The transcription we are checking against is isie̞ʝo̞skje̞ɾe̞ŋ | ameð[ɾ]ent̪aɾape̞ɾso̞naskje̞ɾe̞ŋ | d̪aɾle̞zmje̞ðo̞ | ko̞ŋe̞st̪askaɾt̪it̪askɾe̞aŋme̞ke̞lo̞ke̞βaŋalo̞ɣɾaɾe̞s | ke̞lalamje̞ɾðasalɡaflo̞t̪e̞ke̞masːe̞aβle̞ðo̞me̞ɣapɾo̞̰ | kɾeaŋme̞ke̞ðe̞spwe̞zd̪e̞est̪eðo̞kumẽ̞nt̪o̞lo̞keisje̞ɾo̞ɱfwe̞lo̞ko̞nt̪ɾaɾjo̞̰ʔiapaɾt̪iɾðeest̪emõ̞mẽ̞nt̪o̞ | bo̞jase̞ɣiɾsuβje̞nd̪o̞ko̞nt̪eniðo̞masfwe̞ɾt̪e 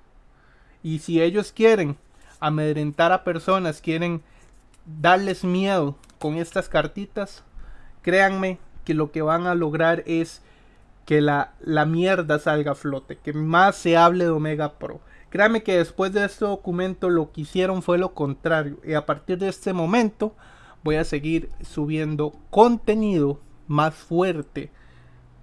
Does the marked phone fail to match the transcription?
no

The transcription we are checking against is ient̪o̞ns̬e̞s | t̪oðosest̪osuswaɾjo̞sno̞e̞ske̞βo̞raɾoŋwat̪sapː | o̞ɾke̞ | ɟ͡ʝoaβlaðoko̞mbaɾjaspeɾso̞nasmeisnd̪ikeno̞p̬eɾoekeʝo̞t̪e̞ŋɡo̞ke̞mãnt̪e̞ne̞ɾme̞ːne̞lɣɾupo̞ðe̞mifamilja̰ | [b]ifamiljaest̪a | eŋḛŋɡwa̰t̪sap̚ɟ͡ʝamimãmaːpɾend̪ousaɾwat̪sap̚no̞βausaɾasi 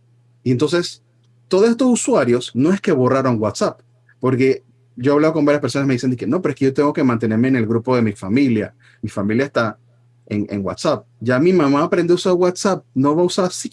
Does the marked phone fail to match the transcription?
yes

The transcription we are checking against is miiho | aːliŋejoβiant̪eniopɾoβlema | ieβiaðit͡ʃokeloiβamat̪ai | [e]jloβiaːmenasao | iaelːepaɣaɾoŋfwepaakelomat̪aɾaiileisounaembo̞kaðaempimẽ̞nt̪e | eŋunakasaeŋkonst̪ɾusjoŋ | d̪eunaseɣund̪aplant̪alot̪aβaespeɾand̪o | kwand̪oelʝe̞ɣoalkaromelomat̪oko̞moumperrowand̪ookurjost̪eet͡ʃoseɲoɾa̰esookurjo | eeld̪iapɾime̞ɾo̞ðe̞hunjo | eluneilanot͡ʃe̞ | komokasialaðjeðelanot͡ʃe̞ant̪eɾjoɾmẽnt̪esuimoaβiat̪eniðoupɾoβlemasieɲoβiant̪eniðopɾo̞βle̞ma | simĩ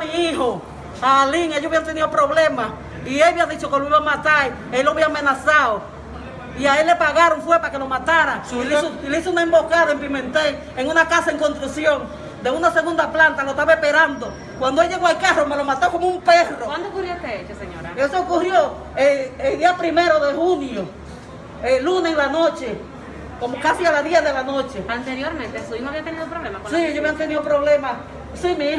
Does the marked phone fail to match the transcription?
no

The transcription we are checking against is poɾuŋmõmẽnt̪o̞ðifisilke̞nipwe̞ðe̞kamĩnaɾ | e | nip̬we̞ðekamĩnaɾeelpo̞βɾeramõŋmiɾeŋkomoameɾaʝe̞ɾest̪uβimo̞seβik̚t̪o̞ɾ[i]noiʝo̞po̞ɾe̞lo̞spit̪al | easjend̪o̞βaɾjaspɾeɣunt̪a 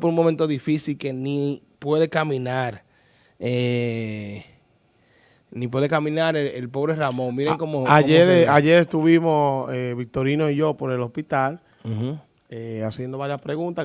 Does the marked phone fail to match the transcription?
no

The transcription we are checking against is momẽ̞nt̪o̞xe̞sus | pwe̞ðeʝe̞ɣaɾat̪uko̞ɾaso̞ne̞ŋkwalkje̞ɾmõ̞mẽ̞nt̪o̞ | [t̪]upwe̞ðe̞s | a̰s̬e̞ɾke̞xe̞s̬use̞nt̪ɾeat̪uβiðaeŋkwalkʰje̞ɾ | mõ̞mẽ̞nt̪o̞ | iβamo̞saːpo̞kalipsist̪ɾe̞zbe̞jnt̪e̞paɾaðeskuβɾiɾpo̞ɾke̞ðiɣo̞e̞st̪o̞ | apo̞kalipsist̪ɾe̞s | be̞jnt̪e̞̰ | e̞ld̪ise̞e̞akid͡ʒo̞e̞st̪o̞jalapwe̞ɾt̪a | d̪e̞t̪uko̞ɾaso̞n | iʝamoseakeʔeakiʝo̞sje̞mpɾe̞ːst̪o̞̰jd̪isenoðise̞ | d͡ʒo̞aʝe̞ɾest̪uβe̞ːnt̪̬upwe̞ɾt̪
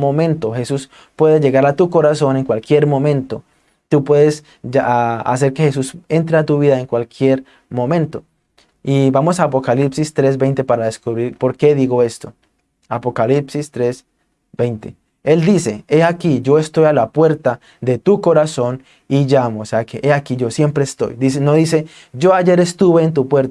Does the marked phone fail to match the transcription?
no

